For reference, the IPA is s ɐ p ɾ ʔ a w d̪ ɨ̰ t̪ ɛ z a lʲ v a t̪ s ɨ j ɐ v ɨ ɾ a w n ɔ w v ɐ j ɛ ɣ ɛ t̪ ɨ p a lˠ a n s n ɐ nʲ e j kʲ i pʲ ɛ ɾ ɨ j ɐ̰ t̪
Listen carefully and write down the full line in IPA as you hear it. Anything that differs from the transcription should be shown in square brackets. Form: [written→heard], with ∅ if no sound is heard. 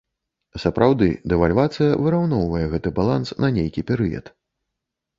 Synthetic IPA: s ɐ p ɾ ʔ a w d̪ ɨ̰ [t̪→d̪] ɛ [z→v] a lʲ v a t̪ s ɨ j ɐ v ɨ ɾ a w n ɔ w v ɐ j ɛ ɣ ɛ t̪ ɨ [p→b] a lˠ a n s n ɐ nʲ e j kʲ i pʲ ɛ ɾ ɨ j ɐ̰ t̪